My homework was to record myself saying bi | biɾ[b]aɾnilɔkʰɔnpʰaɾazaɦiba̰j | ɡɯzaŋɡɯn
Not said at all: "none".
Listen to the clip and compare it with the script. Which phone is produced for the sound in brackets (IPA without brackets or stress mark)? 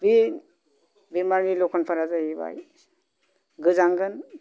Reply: m